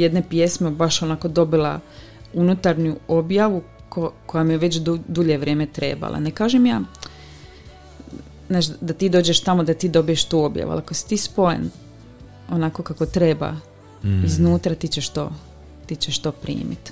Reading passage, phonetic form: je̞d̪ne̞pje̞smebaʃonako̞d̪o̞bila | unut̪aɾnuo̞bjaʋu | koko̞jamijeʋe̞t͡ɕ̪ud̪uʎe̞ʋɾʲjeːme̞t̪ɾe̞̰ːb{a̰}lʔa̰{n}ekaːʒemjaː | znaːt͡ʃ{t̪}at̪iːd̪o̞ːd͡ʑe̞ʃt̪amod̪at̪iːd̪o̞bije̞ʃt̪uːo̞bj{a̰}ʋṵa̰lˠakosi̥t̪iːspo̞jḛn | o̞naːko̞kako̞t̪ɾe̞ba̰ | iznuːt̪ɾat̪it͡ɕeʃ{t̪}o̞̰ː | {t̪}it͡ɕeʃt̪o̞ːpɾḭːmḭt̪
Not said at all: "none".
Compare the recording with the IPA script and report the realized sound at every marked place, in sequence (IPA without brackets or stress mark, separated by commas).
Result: a̰, n, d̪, a̰, t̪, t̪